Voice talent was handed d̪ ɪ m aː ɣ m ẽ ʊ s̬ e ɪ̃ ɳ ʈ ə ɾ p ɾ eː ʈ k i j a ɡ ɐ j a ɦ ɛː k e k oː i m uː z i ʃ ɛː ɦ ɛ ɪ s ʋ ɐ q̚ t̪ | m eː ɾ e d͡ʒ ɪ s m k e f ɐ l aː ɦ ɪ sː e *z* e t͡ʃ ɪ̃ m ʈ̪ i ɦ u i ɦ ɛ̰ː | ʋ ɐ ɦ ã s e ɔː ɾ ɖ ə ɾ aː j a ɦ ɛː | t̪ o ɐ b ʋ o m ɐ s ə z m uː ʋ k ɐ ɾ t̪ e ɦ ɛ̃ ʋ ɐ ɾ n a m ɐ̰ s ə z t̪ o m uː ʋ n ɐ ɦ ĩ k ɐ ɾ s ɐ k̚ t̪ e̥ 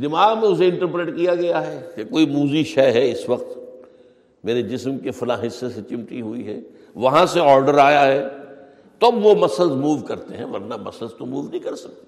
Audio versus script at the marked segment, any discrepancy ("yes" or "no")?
yes